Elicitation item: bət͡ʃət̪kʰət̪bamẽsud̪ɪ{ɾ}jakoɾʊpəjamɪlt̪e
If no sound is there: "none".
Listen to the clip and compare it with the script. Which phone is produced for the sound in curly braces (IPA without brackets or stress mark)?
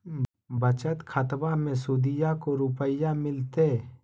none